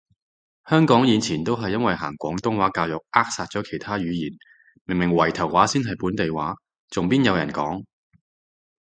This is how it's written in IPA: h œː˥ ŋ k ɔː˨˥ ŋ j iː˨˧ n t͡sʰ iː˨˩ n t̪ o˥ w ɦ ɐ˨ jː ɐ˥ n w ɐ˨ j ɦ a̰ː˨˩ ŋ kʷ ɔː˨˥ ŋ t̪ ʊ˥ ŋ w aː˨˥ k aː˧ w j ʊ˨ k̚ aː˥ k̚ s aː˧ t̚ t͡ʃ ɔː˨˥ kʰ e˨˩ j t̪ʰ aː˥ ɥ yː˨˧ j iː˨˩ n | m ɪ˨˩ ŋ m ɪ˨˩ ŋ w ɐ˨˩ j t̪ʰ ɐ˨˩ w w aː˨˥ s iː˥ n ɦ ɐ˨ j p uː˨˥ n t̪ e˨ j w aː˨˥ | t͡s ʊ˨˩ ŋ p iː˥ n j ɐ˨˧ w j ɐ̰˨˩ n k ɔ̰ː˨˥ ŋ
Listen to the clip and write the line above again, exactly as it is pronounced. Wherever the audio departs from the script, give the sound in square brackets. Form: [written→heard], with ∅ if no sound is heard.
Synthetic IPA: h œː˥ ŋ k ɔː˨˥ ŋ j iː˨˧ n t͡sʰ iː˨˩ n t̪ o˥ w ɦ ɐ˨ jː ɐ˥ n w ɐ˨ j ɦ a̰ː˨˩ ŋ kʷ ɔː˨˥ ŋ t̪ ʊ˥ ŋ w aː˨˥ k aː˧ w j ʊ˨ k̚ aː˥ k̚ s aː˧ t̚ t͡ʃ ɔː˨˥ kʰ e˨˩ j t̪ʰ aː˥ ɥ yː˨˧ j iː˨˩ n | m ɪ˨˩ ŋ m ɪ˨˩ ŋ w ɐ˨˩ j t̪ʰ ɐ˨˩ w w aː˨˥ s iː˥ n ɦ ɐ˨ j p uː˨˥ n t̪ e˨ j w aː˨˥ | t͡s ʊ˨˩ ŋ p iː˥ n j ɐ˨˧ w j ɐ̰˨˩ n k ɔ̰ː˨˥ ŋ